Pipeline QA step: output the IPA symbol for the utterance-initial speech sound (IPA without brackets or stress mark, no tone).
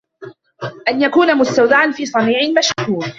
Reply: ʔ